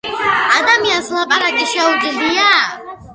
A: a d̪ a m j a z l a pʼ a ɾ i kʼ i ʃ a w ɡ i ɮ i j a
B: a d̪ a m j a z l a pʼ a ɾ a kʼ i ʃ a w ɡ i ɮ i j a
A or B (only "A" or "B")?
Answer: B